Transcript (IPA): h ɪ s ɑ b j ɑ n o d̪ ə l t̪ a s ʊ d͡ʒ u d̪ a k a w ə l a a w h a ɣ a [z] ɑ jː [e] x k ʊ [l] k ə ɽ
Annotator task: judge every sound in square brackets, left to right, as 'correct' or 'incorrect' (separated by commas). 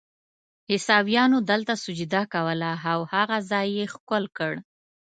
correct, correct, correct